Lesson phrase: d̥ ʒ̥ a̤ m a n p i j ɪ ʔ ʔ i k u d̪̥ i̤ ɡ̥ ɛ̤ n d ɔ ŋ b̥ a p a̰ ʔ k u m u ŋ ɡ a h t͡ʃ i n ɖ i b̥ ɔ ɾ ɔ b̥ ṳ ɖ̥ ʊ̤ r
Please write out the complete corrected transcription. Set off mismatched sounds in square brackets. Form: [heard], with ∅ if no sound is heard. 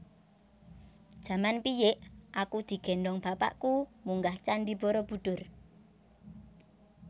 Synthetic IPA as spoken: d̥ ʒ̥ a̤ m a n p i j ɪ ʔ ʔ [a] k u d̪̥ i̤ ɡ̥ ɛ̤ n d ɔ ŋ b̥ a p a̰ ʔ k u m u ŋ ɡ a h t͡ʃ [a] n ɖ i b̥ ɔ ɾ ɔ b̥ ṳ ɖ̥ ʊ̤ r